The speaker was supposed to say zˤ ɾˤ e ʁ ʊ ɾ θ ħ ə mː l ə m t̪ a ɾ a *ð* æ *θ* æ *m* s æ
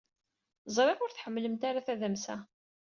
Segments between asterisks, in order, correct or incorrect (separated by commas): incorrect, incorrect, correct